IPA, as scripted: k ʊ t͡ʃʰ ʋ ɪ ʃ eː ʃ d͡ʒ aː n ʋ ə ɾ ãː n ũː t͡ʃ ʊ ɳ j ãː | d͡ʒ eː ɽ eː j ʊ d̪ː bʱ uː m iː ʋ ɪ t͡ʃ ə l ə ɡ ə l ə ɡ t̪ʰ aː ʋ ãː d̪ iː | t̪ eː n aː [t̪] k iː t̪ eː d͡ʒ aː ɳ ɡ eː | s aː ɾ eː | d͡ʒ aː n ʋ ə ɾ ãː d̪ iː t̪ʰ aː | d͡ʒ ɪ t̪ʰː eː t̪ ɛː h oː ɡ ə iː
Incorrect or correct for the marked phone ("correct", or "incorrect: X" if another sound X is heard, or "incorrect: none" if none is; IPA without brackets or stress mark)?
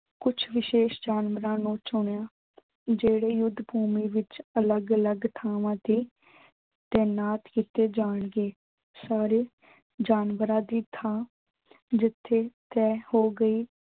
correct